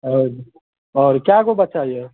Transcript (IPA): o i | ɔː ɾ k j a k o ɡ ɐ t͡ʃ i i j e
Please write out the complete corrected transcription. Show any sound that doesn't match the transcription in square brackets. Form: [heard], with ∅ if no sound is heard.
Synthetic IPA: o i | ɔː ɾ k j a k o [b] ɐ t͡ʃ [a] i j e